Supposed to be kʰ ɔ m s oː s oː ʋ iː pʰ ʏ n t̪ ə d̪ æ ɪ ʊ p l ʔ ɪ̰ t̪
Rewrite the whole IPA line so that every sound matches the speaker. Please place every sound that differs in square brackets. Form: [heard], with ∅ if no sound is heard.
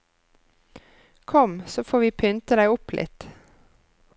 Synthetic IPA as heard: kʰ ɔ m s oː [f] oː ʋ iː pʰ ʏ n t̪ ə d̪ æ ɪ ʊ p l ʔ ɪ̰ t̪